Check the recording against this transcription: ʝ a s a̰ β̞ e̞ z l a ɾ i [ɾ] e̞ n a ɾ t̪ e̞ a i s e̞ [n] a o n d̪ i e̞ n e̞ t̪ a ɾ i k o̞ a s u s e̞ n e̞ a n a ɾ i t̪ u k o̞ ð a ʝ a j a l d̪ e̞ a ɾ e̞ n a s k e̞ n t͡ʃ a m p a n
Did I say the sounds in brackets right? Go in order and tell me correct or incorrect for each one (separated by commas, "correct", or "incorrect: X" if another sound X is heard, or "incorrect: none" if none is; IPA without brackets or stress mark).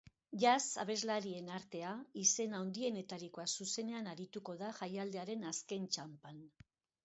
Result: incorrect: none, correct